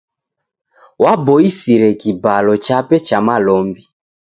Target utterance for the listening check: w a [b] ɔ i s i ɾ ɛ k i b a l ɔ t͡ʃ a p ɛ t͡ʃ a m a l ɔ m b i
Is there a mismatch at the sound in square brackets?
no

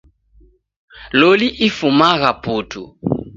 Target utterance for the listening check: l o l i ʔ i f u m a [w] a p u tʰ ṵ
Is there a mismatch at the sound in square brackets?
yes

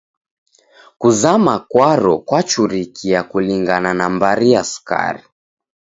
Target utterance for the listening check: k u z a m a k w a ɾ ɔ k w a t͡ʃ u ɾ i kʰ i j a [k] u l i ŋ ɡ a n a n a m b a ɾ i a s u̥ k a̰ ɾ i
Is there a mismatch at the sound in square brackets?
no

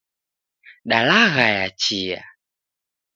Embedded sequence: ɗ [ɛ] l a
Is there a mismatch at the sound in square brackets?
yes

